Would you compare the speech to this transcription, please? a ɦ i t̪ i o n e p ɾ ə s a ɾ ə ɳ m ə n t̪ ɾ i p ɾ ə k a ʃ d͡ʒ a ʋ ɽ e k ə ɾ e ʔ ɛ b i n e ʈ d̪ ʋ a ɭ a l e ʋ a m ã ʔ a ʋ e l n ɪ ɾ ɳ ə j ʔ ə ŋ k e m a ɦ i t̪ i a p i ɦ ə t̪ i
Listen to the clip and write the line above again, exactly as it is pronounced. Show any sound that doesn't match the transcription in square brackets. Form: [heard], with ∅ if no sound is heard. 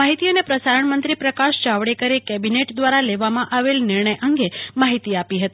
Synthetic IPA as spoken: a ɦ i t̪ i o n e p ɾ ə s a ɾ ə ɳ m ə n t̪ ɾ i p ɾ ə k a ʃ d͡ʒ a ʋ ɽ e k ə ɾ e [k] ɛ b i n e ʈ d̪ ʋ a [ɾ] a l e ʋ a m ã ʔ a ʋ e l n ɪ ɾ ɳ ə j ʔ ə ŋ [ɡ] e m a ɦ i t̪ i a p i ɦ ə t̪ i